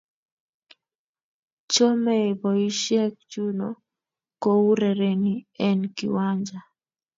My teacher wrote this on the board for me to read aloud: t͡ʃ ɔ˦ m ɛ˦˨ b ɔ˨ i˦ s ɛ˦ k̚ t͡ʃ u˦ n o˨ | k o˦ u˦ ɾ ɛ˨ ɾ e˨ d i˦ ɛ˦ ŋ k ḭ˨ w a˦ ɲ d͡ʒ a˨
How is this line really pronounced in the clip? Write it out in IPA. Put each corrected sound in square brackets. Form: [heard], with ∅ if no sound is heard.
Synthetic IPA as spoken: t͡ʃ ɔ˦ m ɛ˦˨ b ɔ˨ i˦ [ʃ] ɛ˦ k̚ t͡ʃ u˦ n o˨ | k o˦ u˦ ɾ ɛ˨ ɾ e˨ [n] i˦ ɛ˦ [n] k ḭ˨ w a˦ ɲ d͡ʒ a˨

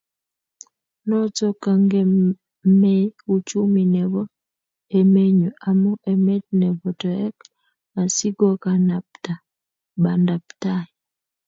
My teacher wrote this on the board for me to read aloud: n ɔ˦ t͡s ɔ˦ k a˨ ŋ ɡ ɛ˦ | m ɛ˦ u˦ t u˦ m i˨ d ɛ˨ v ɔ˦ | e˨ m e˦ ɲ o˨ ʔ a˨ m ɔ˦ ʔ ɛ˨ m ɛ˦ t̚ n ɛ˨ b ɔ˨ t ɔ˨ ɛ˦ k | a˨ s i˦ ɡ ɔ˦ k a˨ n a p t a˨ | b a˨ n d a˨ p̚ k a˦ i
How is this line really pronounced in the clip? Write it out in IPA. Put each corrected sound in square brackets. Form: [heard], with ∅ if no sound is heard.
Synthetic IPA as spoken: n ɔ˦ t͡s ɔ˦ k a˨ ŋ ɡ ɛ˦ | m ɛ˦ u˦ [t͡ʃ] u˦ m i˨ [n] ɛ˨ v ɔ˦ | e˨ m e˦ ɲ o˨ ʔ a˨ m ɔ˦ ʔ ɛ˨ m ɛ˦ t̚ n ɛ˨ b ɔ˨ t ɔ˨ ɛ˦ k | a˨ s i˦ ɡ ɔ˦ k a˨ n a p t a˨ | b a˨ n d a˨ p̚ [t] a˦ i

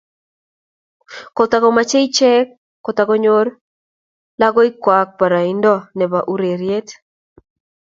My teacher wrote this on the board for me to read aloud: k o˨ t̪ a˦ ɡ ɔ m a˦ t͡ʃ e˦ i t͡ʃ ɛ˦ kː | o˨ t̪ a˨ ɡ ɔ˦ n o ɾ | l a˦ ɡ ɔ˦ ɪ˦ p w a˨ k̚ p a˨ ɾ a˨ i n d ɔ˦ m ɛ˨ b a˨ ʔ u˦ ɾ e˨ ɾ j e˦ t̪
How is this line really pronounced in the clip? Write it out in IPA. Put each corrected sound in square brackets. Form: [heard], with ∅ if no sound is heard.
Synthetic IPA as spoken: k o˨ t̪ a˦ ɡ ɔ m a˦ t͡ʃ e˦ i t͡ʃ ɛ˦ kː | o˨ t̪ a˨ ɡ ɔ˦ [ɲ] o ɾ | l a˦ ɡ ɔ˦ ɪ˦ [k] w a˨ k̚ p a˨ ɾ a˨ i n d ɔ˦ [n] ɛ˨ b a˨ ʔ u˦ ɾ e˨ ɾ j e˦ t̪

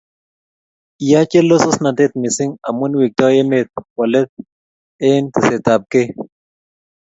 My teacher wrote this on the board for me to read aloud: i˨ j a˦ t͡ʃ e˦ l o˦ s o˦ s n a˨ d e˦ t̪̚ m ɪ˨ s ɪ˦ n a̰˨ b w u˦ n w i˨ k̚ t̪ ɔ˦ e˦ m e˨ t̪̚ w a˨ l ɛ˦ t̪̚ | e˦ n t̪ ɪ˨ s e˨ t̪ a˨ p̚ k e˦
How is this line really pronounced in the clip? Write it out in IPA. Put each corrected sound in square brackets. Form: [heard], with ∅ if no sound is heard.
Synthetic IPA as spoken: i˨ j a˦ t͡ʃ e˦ l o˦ s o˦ s n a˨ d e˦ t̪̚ m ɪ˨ s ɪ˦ [ŋ] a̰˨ [m] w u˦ n w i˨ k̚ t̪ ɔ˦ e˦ m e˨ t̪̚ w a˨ l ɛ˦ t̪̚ | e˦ n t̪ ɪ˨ s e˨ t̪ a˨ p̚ k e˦

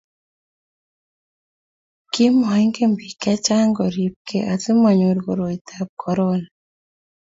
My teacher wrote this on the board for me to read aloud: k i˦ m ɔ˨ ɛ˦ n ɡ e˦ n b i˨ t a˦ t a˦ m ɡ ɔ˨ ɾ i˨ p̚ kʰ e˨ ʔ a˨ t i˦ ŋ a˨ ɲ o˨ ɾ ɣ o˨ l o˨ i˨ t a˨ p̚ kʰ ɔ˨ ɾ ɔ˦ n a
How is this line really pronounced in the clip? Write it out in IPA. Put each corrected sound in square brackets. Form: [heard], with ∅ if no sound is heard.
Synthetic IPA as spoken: k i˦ m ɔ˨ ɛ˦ [ŋ] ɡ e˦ [m] b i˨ [k] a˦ [t͡ʃ] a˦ [ŋ] ɡ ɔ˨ ɾ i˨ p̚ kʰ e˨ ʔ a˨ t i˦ [m] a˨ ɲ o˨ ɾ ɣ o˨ [ɾ] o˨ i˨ t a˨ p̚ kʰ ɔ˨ ɾ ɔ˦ n a

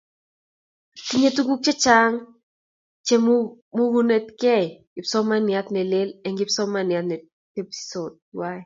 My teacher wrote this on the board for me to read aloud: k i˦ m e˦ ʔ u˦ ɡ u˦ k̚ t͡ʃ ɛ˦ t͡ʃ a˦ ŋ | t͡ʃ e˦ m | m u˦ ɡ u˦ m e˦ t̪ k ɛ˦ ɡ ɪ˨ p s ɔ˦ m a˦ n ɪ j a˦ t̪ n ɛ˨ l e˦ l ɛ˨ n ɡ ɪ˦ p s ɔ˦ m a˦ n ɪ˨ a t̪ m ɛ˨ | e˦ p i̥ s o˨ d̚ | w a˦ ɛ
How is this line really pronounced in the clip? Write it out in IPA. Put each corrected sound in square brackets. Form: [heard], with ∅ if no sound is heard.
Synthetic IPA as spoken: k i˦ [ɲ] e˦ [t] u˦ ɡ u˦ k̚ t͡ʃ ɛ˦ t͡ʃ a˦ ŋ | t͡ʃ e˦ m | m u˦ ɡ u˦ [n] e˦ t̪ k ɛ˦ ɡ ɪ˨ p s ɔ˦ m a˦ n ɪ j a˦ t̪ n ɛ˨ l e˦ l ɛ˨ [ŋ] ɡ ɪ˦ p s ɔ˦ m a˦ n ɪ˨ a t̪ [n] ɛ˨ | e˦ p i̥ s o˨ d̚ | w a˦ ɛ

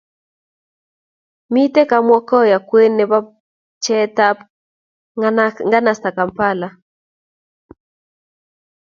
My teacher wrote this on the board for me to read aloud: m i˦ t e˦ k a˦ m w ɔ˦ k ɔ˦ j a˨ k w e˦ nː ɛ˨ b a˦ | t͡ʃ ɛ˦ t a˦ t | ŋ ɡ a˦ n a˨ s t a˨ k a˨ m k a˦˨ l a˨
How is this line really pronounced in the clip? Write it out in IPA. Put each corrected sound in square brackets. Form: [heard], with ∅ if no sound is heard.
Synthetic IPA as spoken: m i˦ t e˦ k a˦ m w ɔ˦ k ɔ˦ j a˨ k w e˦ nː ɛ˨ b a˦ | t͡ʃ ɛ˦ t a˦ [p] | ŋ ɡ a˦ n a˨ s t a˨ k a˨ m [p] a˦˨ l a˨

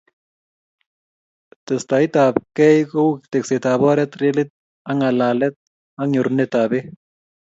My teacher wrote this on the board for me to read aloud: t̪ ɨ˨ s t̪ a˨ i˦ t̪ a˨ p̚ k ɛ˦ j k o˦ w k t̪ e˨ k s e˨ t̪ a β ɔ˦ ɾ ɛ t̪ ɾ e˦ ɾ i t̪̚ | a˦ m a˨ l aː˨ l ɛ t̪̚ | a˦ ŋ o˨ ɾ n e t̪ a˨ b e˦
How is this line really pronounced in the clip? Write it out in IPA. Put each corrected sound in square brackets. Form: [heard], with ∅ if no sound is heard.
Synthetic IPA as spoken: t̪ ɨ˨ s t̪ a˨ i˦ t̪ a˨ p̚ k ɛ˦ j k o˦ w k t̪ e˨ k s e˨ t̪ a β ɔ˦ ɾ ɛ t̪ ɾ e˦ [l] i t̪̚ | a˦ [ŋ] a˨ l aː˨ l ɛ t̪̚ | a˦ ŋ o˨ ɾ n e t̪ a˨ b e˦

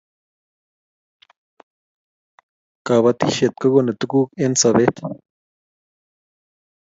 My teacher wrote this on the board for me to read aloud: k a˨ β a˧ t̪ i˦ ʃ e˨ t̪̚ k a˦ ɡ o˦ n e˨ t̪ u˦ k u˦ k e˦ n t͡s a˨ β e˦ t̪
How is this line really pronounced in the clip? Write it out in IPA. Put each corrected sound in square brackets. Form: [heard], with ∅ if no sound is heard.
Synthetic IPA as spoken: k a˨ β a˧ t̪ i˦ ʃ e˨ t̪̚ k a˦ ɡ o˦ n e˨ t̪ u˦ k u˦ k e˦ n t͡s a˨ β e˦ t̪

